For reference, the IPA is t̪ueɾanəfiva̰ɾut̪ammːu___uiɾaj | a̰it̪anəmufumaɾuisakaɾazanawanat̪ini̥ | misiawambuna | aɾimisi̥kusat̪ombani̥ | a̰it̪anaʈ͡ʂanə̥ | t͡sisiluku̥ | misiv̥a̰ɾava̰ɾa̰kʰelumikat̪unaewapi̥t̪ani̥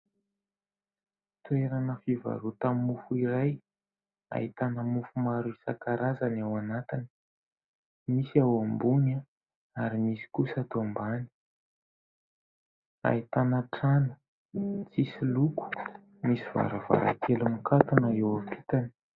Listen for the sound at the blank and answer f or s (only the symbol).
f